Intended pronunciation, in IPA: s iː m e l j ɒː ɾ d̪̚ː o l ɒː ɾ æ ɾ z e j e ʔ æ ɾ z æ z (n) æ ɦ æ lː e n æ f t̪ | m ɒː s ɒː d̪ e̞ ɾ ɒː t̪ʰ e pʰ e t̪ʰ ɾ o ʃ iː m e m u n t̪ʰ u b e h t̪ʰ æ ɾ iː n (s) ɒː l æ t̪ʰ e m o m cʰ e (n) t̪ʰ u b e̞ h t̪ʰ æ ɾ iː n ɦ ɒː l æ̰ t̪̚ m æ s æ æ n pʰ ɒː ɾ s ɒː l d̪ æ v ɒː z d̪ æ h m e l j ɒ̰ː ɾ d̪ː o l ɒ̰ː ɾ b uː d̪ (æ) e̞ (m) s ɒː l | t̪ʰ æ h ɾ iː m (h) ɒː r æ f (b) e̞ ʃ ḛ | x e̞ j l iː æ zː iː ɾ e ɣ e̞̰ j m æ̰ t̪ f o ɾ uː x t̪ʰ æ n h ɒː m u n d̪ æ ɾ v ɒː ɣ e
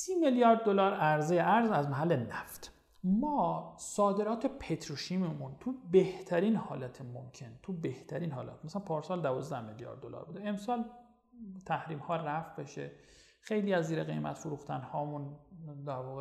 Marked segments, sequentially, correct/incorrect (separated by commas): incorrect, incorrect, correct, incorrect, correct, correct, correct